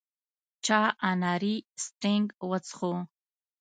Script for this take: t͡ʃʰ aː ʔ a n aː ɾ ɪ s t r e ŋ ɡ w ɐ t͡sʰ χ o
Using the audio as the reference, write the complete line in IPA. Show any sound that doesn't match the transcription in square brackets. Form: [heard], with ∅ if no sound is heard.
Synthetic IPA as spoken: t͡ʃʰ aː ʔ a n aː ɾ [i] s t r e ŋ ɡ w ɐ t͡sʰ χ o